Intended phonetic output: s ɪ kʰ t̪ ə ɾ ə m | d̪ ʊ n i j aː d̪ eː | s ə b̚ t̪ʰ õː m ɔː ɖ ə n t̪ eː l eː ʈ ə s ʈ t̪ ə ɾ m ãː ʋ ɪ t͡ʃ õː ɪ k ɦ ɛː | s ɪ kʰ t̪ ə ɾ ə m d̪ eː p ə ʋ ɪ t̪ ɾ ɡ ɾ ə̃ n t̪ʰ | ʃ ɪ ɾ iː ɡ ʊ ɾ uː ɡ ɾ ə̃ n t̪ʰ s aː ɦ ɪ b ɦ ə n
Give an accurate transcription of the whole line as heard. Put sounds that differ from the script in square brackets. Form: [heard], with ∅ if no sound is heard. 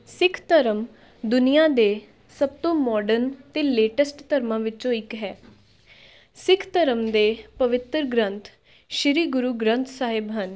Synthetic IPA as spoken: s ɪ kʰ t̪ ə ɾ ə m | d̪ ʊ n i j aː d̪ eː | s ə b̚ [t̪] õː m ɔː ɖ ə n t̪ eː l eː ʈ ə s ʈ t̪ ə ɾ m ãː ʋ ɪ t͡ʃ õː ɪ k ɦ ɛː | s ɪ kʰ t̪ ə ɾ ə m d̪ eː p ə ʋ ɪ t̪ ɾ ɡ ɾ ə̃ n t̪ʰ | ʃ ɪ ɾ iː ɡ ʊ ɾ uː ɡ ɾ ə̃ n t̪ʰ s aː ɦ ɪ b ɦ ə n